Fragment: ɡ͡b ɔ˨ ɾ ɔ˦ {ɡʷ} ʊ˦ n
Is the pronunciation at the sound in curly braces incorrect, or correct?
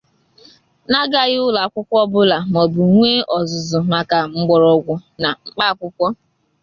correct